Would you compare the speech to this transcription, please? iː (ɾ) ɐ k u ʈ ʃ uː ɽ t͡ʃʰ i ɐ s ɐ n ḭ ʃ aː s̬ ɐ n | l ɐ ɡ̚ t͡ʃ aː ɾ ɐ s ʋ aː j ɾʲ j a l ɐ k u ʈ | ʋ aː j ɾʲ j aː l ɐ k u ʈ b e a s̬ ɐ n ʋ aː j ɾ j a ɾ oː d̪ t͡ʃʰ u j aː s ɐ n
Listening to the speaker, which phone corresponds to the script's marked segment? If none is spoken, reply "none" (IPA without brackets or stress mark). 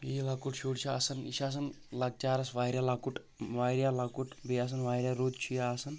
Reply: l